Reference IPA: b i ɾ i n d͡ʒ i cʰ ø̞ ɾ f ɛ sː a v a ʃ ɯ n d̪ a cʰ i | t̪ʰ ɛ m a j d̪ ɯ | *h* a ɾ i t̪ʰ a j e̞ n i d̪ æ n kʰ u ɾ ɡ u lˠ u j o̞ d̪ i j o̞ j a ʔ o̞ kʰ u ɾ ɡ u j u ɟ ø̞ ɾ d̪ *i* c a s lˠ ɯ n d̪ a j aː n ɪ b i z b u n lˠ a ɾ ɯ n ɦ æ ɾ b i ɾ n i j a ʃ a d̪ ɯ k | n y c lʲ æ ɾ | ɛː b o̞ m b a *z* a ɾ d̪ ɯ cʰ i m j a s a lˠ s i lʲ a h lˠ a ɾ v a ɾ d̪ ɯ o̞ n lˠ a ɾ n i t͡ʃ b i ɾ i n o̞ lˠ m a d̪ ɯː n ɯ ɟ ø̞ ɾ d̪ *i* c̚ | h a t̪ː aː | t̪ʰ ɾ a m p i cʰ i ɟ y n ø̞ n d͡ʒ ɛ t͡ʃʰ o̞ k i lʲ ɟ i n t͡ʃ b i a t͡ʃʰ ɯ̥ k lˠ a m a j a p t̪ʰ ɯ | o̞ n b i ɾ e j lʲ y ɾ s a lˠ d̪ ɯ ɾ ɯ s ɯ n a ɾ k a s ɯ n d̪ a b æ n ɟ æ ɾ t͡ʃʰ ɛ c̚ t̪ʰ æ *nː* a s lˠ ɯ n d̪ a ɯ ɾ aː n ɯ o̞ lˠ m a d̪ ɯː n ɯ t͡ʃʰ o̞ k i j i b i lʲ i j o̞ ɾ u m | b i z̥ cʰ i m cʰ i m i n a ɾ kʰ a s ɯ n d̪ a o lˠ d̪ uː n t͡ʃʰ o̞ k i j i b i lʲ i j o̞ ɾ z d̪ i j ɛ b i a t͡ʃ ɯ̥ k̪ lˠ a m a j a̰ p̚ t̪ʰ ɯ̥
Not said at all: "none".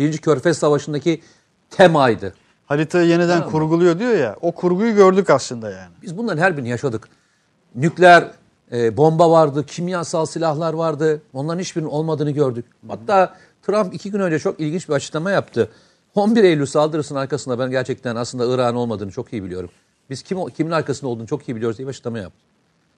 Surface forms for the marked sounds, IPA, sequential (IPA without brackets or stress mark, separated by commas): h, y, v, y, n